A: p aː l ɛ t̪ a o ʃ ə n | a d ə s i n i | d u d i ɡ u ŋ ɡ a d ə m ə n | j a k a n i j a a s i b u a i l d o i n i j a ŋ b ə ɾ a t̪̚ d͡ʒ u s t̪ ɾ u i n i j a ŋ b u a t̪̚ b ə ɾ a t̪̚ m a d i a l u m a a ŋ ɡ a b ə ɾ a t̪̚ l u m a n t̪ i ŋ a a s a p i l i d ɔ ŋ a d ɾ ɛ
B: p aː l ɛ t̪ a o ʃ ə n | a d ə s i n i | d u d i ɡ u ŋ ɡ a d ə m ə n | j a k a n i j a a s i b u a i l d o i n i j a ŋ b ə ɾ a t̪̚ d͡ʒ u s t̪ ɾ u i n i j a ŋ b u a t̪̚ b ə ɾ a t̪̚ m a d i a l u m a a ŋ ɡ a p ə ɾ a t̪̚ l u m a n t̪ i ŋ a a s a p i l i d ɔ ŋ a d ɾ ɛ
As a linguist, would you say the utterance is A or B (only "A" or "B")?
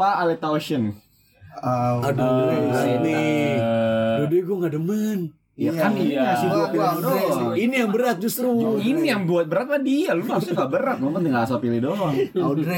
A